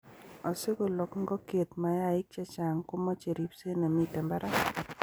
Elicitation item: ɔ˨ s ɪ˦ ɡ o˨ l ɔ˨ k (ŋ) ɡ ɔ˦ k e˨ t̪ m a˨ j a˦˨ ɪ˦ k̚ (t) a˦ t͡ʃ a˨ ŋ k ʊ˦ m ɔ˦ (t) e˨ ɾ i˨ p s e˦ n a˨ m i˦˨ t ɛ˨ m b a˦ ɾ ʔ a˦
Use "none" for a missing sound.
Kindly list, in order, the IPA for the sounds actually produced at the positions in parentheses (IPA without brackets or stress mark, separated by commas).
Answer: ŋ, t͡ʃ, t͡ʃ